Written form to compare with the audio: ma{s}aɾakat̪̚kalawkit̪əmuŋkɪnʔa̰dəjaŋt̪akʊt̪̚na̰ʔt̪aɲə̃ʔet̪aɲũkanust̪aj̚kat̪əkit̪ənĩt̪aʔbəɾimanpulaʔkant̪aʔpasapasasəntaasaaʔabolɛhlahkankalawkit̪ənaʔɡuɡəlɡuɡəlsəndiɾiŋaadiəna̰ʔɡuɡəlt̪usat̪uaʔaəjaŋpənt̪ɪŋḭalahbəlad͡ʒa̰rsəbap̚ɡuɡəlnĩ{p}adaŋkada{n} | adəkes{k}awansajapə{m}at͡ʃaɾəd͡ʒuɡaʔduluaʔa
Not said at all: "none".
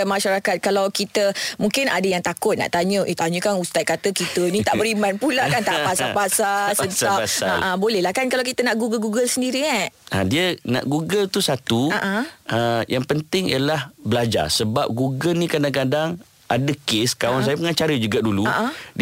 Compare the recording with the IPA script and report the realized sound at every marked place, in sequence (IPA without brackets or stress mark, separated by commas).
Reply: ʃ, k, ŋ, k, ŋ